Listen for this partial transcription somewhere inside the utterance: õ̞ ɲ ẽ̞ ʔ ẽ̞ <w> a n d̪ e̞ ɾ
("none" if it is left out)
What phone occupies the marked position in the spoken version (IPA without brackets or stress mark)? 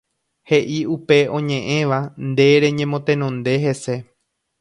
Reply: ʋ